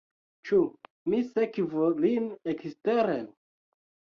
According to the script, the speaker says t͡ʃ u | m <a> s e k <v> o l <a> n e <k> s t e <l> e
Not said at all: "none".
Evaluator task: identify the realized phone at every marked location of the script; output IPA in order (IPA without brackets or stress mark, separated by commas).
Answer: i, v, i, k, ɾ